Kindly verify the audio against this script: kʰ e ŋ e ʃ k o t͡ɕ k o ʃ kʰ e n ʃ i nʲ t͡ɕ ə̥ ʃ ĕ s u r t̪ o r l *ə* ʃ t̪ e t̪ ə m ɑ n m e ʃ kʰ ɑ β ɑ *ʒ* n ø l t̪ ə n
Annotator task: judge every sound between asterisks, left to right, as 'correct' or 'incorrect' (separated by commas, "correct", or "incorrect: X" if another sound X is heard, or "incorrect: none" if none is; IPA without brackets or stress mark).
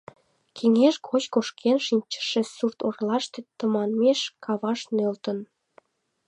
incorrect: ɑ, incorrect: ʃ